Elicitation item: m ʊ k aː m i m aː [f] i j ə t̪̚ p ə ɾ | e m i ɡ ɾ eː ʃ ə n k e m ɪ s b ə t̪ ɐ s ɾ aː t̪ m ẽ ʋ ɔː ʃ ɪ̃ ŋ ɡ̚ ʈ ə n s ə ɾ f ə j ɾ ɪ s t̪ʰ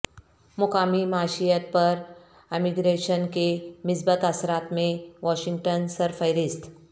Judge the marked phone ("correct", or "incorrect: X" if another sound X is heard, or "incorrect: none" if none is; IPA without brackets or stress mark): incorrect: ʃ